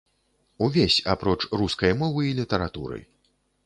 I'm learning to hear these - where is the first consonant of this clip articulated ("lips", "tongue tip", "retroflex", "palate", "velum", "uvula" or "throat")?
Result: lips